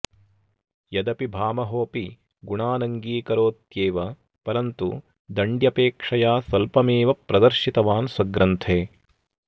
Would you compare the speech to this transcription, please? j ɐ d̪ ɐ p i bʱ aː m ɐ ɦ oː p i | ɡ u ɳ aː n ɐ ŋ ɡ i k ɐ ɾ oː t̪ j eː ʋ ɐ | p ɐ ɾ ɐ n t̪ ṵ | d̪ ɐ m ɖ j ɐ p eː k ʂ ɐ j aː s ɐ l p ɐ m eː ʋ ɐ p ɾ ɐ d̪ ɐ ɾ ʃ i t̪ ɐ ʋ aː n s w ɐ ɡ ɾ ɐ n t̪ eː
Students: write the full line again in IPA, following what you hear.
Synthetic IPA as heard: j ɐ d̪ ɐ p i bʱ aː m ɐ ɦ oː p i | ɡ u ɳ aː n ɐ ŋ ɡ iː k ɐ ɾ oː t̪ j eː ʋ ɐ | p ɐ ɾ ɐ n t̪ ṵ | d̪ ɐ ɳ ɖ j ɐ p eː k ʂ ɐ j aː s ɐ l p ɐ m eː ʋ ɐ p ɾ ɐ d̪ ɐ ɾ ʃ i t̪ ɐ ʋ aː n s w ɐ ɡ ɾ ɐ n t̪ʰ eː